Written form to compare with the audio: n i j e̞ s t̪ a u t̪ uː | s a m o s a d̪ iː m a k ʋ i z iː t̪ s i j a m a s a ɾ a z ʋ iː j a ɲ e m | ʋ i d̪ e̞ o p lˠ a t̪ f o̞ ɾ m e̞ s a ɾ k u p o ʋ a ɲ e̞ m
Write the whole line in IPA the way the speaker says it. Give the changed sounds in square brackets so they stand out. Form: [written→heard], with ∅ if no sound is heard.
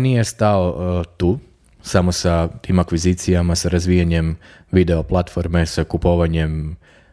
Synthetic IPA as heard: n i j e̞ s t̪ a [u→o] t̪ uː | s a m o s a [d̪→t̪] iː m a k ʋ i z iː t̪ s i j a m a s a ɾ a z ʋ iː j a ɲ e m | ʋ i d̪ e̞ o p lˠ a t̪ f o̞ ɾ m e̞ s a [ɾ→∅] k u p o ʋ a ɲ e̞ m